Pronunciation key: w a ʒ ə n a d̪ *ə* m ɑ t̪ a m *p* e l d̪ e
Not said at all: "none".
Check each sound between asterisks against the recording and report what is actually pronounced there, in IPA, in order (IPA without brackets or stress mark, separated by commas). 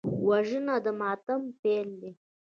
ə, p